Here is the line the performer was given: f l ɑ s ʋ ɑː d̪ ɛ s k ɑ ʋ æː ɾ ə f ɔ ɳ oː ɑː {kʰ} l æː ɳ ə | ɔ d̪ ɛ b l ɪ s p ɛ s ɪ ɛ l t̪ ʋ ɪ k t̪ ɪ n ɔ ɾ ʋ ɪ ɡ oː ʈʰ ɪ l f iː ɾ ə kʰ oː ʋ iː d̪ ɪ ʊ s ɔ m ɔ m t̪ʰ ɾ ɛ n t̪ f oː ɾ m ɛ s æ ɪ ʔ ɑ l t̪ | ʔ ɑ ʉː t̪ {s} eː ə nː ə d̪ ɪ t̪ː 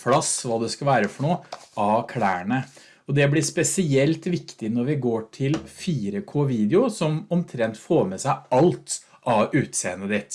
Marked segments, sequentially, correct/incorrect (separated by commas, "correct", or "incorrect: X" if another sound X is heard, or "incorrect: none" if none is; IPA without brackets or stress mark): correct, correct